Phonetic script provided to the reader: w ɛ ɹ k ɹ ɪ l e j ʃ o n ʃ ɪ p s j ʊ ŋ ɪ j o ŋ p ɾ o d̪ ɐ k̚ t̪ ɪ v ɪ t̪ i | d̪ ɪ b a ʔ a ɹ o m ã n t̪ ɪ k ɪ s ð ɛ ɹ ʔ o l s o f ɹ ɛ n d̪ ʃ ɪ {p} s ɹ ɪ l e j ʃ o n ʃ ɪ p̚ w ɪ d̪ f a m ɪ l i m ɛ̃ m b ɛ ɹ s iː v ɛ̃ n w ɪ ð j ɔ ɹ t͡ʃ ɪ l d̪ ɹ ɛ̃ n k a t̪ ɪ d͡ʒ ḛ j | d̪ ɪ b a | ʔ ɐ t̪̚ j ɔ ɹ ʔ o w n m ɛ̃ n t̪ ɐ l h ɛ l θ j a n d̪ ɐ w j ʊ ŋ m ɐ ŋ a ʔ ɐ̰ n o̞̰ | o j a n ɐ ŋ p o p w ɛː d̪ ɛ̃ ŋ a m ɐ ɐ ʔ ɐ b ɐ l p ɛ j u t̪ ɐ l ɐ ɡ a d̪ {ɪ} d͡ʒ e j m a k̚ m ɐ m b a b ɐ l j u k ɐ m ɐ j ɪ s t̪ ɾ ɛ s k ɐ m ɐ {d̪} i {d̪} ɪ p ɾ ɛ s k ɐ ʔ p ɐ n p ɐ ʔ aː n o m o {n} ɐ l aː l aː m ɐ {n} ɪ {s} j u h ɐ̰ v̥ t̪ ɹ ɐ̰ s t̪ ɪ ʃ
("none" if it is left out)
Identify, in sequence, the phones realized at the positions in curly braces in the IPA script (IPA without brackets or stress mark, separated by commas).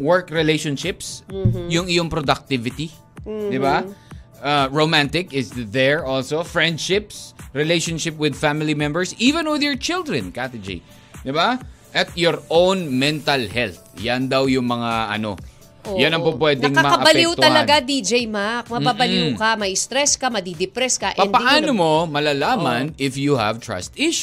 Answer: p, i, d̪, d̪, m, n, f